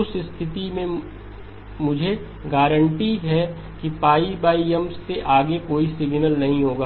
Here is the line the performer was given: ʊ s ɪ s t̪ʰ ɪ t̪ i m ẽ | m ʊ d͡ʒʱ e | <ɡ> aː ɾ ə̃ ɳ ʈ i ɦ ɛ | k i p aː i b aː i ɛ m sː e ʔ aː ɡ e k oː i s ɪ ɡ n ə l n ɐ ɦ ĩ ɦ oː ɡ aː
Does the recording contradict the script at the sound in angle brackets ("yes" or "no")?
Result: no